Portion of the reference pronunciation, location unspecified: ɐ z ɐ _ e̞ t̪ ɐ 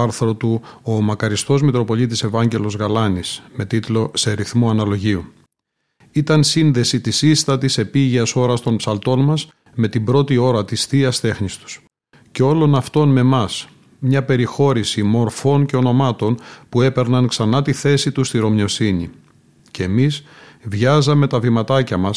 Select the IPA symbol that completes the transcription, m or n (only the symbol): m